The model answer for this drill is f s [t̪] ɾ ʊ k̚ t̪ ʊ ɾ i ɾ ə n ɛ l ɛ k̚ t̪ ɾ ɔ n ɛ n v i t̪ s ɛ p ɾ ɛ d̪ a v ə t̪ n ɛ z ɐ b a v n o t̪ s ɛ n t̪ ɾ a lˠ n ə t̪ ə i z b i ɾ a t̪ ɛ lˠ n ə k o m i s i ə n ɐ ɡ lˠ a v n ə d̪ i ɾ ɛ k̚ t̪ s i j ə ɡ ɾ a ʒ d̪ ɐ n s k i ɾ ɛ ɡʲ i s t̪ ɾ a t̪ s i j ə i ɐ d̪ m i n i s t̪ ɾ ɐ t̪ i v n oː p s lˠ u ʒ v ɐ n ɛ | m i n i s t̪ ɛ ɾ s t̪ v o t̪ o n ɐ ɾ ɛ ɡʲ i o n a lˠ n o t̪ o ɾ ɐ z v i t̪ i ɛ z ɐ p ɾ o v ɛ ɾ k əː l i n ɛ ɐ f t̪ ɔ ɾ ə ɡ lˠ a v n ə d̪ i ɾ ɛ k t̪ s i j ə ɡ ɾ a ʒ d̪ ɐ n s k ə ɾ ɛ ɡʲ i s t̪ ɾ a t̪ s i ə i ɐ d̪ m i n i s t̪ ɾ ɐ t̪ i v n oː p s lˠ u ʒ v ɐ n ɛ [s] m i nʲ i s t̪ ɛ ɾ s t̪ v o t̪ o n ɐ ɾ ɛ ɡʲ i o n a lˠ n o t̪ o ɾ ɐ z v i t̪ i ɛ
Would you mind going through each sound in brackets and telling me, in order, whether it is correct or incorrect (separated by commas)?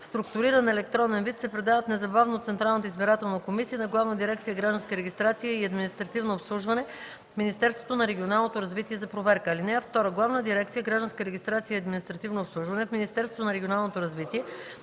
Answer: correct, incorrect